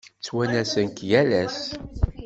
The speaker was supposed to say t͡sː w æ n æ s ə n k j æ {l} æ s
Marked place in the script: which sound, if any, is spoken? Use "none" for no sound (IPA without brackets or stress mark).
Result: l